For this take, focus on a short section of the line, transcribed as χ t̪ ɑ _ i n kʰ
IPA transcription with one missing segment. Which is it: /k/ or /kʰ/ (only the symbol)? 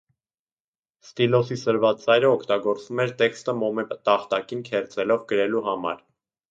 k